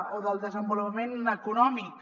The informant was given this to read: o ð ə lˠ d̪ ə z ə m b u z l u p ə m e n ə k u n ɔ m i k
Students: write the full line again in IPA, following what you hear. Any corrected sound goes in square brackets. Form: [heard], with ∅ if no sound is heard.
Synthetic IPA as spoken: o ð ə lˠ d̪ ə z ə m b u [∅] l u p ə m e n ə k u n ɔ m i k